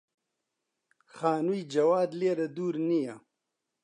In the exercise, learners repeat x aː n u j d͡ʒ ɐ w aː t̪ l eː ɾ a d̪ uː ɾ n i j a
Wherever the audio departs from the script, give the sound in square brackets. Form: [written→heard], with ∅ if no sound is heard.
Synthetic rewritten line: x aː n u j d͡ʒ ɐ w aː [t̪→d̪] l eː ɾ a d̪ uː ɾ n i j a